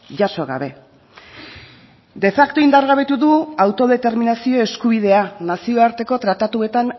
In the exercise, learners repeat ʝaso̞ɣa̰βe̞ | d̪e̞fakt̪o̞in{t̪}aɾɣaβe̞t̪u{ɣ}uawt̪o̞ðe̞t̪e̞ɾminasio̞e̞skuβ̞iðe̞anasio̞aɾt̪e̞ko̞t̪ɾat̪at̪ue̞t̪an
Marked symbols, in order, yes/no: no, no

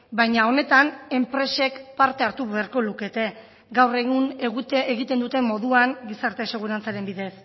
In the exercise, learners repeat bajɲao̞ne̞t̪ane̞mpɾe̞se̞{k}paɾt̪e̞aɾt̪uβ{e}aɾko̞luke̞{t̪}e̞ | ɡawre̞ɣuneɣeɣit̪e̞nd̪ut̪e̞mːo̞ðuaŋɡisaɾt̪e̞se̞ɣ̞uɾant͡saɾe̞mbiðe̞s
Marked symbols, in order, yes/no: yes, yes, yes

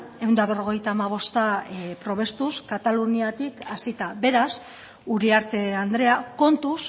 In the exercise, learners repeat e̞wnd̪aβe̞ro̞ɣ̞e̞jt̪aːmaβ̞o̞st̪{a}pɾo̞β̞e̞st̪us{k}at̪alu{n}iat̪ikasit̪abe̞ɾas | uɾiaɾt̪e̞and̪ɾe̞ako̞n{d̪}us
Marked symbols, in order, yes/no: yes, yes, yes, no

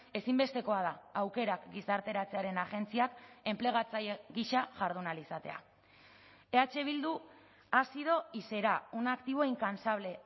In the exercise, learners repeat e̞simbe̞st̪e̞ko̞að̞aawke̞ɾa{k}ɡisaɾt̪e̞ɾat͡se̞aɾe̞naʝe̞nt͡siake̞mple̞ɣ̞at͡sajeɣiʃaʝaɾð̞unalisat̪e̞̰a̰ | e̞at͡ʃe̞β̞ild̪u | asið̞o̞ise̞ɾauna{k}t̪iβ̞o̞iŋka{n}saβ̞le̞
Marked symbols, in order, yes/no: yes, yes, yes

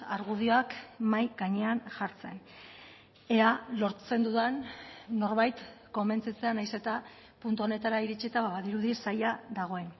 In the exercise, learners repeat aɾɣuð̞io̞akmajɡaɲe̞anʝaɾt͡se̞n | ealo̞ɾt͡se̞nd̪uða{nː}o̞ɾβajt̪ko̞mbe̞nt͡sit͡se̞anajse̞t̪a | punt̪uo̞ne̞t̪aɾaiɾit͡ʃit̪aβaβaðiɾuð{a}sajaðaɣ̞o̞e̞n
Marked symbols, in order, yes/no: yes, no

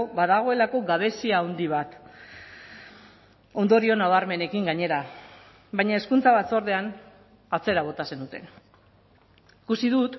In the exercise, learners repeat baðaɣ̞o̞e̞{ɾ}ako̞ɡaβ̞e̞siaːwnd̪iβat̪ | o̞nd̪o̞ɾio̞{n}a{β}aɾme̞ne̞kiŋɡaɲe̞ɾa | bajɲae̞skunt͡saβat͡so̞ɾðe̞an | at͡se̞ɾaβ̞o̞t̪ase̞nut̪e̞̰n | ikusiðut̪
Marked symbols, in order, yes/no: no, yes, yes

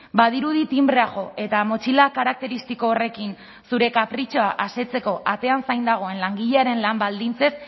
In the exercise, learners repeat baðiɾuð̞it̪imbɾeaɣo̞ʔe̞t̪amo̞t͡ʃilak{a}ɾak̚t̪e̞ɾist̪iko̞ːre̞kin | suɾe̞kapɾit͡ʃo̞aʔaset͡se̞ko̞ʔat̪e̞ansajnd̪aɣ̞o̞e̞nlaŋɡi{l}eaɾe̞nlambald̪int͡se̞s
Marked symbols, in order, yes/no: yes, no

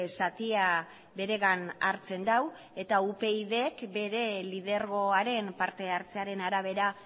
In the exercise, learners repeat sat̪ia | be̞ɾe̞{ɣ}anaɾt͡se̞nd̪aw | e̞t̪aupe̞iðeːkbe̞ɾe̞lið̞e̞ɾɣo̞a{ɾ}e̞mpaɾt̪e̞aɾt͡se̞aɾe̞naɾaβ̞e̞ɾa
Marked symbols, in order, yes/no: yes, yes

